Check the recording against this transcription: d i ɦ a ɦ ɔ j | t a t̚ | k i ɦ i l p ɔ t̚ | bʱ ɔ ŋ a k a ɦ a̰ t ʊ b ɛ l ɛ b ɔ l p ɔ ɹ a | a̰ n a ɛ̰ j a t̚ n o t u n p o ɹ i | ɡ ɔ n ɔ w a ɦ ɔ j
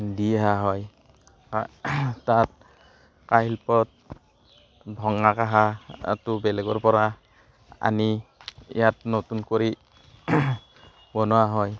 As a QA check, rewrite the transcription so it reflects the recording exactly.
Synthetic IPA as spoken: d i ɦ a ɦ ɔ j | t a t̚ | k a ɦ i l p ɔ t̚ | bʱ ɔ ŋ a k a ɦ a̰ t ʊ b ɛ l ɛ ɡ ɔ ɹ p ɔ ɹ a | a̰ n i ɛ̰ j a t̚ n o t u n k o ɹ i | b ɔ n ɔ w a ɦ ɔ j